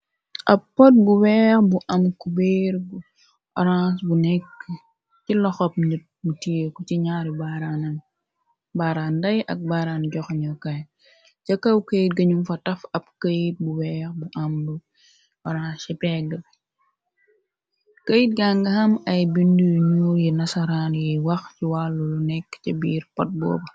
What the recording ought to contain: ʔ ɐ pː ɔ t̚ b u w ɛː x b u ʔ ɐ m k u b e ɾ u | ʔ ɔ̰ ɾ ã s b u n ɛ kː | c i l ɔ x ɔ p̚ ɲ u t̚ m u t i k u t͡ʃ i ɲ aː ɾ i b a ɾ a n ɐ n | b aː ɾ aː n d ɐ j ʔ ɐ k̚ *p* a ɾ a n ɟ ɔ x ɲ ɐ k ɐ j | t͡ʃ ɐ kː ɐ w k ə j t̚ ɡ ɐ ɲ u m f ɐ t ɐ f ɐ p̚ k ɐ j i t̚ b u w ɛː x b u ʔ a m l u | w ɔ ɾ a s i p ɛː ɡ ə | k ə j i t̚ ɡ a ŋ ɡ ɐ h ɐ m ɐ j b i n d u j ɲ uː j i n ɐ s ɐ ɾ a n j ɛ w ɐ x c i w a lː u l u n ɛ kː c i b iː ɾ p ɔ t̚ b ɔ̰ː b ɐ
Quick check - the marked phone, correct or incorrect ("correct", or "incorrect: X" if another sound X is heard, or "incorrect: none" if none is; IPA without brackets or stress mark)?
incorrect: b